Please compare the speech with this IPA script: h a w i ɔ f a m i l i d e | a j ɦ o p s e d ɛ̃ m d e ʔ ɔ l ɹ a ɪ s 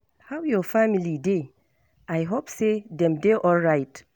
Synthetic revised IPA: h a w j ɔ f a m i l i d e | a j ɦ o p s e d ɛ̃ m d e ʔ ɔ l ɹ a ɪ t